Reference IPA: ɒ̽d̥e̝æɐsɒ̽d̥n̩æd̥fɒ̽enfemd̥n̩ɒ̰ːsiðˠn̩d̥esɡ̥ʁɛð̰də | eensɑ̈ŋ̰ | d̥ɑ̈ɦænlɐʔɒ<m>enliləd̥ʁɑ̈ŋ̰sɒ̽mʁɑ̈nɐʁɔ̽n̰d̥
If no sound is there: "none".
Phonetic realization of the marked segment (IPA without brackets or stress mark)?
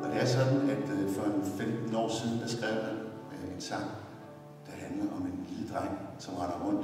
m